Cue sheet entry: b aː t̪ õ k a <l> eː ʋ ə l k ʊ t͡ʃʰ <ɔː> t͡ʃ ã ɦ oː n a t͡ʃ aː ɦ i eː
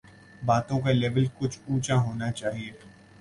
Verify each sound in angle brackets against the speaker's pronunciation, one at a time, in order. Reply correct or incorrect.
correct, incorrect: uː

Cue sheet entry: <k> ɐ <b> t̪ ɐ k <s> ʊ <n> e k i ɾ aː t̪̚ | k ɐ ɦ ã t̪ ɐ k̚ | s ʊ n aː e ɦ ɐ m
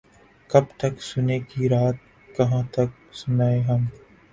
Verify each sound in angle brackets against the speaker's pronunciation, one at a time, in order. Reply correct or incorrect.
correct, correct, correct, correct

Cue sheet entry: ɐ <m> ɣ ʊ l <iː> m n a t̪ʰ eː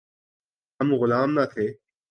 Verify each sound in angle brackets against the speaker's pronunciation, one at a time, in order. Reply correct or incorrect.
correct, incorrect: aː

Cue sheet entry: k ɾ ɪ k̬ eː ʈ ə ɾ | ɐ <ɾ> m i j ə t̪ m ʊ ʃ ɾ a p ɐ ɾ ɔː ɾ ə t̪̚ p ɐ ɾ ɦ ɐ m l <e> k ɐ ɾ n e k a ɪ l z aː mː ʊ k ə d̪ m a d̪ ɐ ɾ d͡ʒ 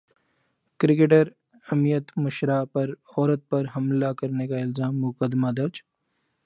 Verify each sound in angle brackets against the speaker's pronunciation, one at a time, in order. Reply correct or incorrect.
incorrect: none, incorrect: a

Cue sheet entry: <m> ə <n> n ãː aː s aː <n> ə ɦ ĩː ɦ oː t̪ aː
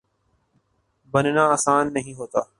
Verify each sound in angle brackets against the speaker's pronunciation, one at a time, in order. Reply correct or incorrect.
incorrect: b, correct, incorrect: nː

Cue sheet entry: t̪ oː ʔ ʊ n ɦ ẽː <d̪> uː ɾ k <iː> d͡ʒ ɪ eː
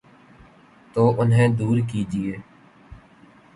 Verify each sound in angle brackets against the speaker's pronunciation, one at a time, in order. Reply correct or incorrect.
correct, correct

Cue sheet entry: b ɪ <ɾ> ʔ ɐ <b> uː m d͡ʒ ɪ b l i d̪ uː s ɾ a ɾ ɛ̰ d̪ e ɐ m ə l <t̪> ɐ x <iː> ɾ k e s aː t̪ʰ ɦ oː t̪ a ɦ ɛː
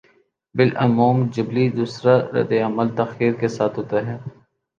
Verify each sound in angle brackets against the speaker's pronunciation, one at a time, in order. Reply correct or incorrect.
incorrect: l, incorrect: m, correct, correct

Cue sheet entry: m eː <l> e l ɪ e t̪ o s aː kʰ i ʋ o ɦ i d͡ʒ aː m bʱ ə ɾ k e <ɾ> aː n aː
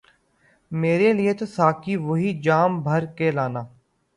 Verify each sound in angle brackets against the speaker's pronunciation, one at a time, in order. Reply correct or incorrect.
incorrect: ɾ, incorrect: l

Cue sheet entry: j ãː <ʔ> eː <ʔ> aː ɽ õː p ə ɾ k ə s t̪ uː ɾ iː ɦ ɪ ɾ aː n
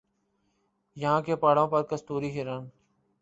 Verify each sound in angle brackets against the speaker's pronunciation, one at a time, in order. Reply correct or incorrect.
incorrect: k, incorrect: p

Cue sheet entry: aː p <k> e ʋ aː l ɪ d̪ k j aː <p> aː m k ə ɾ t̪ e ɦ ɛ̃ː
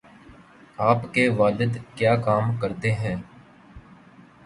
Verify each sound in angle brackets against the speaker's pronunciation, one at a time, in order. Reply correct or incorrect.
correct, incorrect: k

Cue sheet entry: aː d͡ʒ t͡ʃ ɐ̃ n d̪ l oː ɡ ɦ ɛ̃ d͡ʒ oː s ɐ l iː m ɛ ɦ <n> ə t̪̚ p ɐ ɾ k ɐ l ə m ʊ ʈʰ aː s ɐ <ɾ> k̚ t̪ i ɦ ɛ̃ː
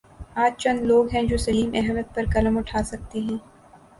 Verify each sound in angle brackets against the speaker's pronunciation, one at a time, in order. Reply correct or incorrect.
incorrect: m, incorrect: none

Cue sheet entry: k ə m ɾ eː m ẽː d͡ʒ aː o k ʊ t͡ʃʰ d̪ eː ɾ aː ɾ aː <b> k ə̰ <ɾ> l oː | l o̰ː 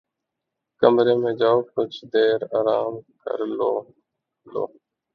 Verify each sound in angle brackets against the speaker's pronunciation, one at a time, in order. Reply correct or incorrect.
incorrect: m, correct

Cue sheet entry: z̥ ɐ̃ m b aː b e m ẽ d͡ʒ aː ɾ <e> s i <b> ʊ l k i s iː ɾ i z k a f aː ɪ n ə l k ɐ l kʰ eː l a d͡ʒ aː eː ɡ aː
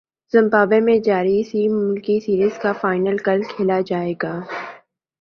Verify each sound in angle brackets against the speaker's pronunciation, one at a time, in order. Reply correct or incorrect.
incorrect: i, incorrect: m

